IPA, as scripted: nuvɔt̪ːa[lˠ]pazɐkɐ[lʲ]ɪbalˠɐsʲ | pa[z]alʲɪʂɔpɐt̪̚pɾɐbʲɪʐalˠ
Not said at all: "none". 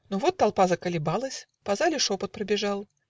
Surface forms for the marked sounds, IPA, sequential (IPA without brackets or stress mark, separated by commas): lˠ, lʲ, z